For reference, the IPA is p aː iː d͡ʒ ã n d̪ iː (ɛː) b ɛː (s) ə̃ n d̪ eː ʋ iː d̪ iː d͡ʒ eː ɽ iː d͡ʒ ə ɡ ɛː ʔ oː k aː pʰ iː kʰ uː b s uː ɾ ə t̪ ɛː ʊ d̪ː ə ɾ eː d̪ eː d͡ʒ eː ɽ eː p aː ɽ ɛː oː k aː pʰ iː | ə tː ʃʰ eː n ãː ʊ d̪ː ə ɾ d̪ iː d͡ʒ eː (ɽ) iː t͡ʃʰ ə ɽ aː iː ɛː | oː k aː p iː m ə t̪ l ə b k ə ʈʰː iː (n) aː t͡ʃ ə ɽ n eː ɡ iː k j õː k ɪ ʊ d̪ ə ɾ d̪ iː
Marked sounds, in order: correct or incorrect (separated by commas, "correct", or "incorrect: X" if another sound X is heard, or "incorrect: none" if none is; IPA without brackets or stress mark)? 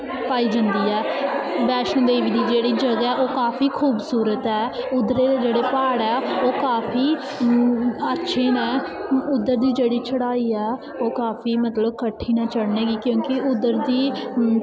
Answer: correct, incorrect: ʃ, correct, correct